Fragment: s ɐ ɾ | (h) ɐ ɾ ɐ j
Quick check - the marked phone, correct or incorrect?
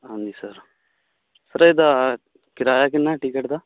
incorrect